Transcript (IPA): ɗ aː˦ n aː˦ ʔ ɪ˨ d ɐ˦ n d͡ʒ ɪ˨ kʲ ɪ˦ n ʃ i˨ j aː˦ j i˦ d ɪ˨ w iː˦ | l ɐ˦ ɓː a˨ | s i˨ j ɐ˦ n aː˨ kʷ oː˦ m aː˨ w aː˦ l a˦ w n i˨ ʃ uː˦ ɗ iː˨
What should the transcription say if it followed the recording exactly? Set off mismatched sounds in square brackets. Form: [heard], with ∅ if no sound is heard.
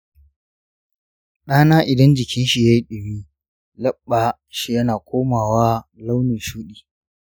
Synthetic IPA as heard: ɗ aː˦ n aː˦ ʔ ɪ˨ d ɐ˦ n d͡ʒ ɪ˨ kʲ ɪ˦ n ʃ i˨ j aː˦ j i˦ [ɗ] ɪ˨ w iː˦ | l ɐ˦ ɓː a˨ | [ʃ] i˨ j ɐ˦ n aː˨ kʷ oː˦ m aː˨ w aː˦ l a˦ w n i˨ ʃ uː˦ ɗ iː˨